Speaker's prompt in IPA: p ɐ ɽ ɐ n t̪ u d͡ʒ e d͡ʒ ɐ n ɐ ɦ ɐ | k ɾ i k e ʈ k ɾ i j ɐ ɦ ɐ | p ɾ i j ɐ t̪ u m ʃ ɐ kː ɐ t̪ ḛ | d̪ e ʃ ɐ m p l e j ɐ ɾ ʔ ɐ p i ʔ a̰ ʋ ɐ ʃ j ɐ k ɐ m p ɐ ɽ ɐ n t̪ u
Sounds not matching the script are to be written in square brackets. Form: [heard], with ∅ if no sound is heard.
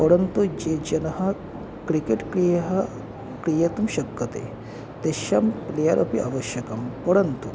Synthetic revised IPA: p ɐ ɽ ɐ n t̪ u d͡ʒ e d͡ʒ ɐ n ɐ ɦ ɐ | k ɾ i k e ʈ k ɾ i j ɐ ɦ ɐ | [k] ɾ i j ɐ t̪ u m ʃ ɐ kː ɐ t̪ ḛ | [t̪] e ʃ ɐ m p l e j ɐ ɾ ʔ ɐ p i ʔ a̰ ʋ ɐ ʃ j ɐ k ɐ m p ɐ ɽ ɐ n t̪ u